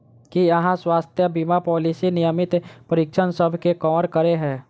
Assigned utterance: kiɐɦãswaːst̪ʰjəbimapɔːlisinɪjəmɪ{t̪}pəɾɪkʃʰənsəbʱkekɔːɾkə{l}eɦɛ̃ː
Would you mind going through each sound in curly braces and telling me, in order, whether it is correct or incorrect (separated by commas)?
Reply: correct, incorrect